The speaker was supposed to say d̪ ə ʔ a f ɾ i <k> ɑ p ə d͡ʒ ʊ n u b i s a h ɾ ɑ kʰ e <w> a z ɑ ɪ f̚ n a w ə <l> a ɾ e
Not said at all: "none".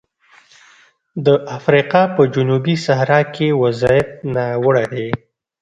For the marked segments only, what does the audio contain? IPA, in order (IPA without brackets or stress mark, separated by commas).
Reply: q, w, ɽ